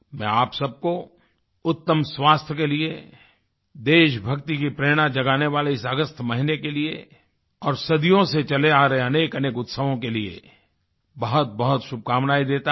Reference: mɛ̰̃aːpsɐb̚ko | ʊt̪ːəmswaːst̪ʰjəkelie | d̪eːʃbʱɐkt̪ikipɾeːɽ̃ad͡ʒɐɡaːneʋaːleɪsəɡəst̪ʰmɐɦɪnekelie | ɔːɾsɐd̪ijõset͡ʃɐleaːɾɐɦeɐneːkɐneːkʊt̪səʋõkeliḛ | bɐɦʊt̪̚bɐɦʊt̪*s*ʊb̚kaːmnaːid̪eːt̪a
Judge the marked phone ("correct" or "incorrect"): incorrect